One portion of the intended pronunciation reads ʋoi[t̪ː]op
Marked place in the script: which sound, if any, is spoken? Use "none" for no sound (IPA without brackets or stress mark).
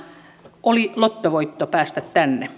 t̪ː